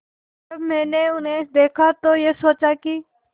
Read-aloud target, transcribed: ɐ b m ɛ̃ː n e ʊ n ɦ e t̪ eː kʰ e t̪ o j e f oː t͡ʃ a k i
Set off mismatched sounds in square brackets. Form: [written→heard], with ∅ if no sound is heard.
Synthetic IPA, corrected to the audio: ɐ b m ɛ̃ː n e ʊ n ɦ e [t̪→d̪] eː kʰ [e→a] t̪ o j e [f→s] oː t͡ʃ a k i